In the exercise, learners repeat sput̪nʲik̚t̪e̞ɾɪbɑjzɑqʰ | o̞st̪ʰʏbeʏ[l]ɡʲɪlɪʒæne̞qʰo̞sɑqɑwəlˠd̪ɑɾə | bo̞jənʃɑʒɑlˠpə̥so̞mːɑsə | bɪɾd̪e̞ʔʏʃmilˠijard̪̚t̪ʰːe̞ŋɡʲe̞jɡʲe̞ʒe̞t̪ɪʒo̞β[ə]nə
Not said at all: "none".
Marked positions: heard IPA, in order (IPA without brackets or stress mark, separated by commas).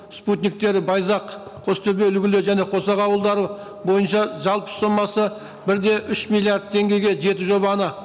l, ɑ